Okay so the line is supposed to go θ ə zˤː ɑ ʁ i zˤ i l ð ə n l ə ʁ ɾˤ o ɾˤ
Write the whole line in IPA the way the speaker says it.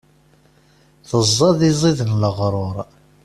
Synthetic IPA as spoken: θ ə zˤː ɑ ð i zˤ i ð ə n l ə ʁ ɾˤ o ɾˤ